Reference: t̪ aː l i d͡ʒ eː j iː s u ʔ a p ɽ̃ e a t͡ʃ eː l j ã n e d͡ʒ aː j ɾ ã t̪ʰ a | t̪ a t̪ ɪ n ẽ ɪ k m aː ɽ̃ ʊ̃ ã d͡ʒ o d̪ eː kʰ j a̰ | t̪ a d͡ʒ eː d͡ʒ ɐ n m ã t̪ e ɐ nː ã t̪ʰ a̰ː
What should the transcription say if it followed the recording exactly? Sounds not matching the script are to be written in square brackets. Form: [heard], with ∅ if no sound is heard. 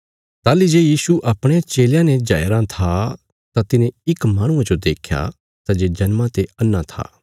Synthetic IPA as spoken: t̪ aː l i d͡ʒ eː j iː s u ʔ [ɐ] p ɽ̃ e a t͡ʃ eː l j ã n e d͡ʒ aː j ɾ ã t̪ʰ a | t̪ a t̪ ɪ n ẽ ɪ k m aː ɽ̃ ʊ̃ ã d͡ʒ o d̪ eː kʰ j a̰ | t̪ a d͡ʒ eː d͡ʒ ɐ n m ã t̪ e ɐ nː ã t̪ʰ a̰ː